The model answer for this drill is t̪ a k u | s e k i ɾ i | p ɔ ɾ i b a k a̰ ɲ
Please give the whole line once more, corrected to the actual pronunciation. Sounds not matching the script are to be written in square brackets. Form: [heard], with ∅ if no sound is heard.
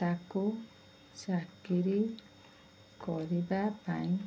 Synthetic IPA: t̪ a k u | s [a] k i ɾ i | [k] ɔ ɾ i b a [p] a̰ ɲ